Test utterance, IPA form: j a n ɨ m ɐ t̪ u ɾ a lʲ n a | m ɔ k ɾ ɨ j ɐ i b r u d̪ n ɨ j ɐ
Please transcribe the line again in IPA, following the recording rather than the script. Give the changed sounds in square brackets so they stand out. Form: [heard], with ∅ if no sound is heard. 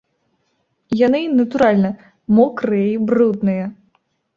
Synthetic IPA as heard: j a n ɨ [n] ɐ t̪ u ɾ a lʲ n [ɐ] | m ɔ k ɾ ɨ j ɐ i b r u d̪ n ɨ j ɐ